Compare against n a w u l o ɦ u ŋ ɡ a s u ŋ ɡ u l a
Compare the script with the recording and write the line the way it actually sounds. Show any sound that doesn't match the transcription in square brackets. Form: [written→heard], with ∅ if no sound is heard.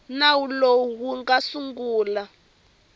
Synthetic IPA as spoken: n a w u l o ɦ u ŋ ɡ a s u ŋ ɡ [u→uː] l a